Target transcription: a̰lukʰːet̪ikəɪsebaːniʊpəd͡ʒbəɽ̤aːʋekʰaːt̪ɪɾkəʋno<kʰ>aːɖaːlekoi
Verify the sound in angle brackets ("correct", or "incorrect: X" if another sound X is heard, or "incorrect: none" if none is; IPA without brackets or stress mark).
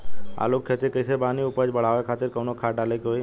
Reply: correct